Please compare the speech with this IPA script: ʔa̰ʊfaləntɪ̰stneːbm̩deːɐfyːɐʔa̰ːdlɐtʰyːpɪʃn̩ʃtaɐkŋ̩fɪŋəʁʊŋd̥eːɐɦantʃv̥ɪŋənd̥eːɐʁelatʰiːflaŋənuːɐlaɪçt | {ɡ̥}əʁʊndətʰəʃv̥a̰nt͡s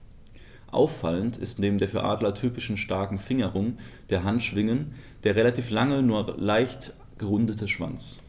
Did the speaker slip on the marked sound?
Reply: no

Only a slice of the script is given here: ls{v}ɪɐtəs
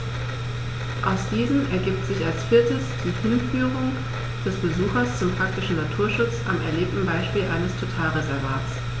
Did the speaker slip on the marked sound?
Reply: yes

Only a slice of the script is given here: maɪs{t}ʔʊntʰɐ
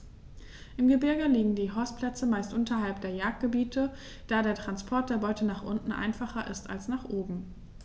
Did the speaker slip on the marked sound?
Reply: no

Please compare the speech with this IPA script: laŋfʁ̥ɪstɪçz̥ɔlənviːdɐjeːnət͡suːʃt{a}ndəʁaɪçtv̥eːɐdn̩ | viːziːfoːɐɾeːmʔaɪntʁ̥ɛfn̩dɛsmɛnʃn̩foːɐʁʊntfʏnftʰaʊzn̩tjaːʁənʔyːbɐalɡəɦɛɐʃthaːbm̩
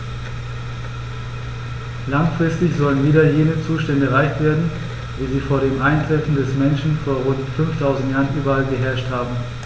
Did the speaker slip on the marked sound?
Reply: yes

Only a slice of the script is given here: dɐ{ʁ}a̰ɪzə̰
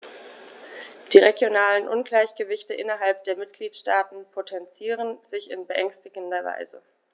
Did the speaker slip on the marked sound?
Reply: yes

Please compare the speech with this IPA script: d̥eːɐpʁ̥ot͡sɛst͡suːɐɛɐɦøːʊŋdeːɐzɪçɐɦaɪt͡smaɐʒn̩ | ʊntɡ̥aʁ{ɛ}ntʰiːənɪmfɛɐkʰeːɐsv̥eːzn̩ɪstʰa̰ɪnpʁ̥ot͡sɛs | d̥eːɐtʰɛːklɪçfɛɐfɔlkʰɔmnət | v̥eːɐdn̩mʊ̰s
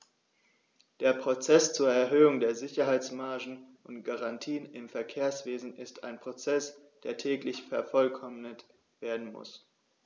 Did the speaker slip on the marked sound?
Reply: yes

